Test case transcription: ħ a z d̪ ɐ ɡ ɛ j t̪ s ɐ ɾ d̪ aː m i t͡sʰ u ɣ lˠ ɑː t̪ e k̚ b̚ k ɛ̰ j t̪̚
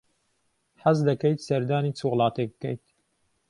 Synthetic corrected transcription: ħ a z d̪ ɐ k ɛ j t̪ s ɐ ɾ d̪ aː n i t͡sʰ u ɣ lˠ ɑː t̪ e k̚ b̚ k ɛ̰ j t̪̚